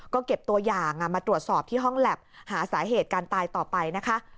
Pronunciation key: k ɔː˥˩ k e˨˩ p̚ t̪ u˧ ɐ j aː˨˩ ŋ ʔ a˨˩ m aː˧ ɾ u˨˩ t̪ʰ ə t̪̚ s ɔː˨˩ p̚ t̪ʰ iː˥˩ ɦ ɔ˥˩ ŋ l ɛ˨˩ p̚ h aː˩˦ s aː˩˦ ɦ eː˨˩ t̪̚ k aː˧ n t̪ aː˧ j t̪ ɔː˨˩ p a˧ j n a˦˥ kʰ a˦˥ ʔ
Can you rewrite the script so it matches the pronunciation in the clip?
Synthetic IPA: k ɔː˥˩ k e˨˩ p̚ t̪ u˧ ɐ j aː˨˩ ŋ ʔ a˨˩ m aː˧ ɾ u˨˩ ə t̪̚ s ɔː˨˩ p̚ t̪ʰ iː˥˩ ɦ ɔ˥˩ ŋ l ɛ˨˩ p̚ h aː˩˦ s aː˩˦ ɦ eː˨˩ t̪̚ k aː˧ n t̪ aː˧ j t̪ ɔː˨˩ p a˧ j n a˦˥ kʰ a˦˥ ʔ